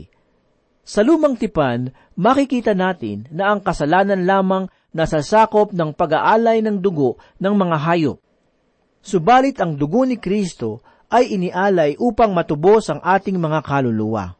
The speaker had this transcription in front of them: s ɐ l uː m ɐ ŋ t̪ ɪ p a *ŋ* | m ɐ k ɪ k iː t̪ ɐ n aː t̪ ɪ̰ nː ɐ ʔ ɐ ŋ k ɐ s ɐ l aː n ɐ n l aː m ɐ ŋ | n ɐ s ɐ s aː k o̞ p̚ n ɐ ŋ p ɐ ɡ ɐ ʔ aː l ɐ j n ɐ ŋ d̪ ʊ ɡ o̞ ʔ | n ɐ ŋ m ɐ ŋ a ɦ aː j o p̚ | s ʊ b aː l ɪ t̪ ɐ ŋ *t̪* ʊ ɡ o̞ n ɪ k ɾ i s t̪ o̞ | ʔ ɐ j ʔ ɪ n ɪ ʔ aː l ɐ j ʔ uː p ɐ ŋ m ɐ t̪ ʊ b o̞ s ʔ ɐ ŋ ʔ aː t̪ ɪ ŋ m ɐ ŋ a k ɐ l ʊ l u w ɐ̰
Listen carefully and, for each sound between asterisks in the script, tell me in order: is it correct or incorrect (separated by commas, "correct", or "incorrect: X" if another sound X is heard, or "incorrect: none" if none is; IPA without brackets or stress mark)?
incorrect: n, incorrect: d̪